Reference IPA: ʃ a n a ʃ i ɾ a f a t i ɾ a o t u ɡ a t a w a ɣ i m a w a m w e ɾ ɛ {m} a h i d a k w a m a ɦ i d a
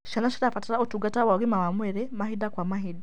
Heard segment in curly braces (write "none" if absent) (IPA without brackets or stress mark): m